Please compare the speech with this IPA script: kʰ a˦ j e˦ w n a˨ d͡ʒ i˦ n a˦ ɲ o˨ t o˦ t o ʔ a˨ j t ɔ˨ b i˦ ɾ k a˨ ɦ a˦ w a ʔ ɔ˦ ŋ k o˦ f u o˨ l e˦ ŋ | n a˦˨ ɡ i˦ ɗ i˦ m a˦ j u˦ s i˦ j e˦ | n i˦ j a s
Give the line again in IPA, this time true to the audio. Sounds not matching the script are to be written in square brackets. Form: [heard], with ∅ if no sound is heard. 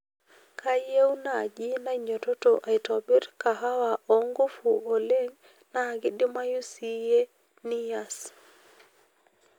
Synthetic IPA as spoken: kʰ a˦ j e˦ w n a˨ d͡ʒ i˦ n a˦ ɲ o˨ t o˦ t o ʔ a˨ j t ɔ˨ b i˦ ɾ k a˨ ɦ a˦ w a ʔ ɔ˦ ŋ [ɡ] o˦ f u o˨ l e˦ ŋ | n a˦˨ ɡ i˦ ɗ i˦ m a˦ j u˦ s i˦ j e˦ | n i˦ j a s